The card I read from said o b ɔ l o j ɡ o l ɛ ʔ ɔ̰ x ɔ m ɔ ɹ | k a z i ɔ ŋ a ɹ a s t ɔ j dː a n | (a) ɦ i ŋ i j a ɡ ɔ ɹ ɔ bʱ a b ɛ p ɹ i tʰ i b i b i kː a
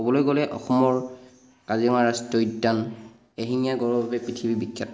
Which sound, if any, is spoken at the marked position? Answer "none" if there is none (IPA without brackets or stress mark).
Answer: e